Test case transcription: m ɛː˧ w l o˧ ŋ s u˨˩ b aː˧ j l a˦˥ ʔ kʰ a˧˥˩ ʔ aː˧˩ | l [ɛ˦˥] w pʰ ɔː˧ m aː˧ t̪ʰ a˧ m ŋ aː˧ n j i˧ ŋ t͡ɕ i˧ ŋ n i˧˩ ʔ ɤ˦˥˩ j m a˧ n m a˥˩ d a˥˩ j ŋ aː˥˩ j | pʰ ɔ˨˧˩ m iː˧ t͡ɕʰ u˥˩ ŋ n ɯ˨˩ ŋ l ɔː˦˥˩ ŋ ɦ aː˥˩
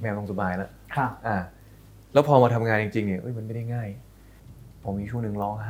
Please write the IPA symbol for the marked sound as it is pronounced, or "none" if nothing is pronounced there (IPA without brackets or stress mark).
ɛː˦˥